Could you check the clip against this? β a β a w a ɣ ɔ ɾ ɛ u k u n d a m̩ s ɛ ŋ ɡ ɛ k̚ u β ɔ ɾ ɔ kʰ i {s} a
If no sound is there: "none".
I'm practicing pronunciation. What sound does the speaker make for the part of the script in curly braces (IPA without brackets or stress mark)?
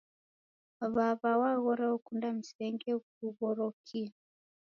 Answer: none